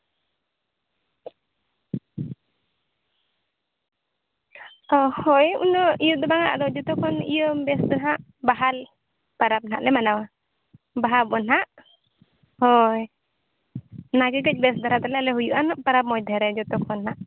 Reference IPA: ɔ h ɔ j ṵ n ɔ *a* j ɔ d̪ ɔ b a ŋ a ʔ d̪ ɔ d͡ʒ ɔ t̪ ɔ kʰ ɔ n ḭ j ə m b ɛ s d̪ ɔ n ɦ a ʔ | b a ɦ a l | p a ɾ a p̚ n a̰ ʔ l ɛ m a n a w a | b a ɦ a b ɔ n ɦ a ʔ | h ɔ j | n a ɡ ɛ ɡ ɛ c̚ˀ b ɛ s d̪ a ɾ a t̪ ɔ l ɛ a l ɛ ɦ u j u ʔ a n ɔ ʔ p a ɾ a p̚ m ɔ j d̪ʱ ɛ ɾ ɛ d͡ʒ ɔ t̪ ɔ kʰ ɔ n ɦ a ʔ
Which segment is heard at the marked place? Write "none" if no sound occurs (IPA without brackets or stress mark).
i